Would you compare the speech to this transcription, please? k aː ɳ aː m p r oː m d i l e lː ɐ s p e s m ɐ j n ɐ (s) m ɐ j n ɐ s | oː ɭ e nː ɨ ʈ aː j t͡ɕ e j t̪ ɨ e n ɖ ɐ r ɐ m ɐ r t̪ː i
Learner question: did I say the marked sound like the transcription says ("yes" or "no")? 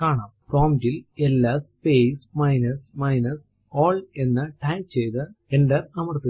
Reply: yes